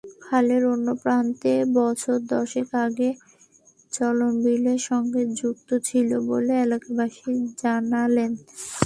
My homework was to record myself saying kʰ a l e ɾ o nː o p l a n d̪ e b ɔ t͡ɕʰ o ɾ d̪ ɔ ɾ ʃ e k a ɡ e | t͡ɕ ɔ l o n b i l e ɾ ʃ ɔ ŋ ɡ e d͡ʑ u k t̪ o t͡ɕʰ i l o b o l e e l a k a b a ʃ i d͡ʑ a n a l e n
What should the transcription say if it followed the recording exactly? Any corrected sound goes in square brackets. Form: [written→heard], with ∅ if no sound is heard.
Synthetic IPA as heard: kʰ a l e ɾ o nː o p [l→ɾ] a n [d̪→t̪] e b ɔ t͡ɕʰ o ɾ d̪ ɔ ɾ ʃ e k a ɡ e | t͡ɕ ɔ l o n b i l e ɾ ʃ ɔ ŋ ɡ e d͡ʑ u k t̪ o t͡ɕʰ i l o b o l e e l a k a b a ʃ i d͡ʑ a n a l e n